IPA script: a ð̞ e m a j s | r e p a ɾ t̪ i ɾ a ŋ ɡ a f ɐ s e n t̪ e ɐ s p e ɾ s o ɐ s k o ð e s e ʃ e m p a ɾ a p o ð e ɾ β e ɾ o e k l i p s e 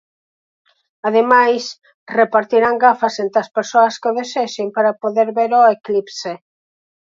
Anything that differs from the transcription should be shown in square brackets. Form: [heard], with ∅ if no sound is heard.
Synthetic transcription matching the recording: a ð̞ e m a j s | r e p a ɾ t̪ i ɾ a ŋ ɡ a f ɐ s e n t̪ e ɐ s p e ɾ s o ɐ s k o ð e s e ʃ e m p a ɾ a p o ð e ɾ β e ɾ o e k l i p s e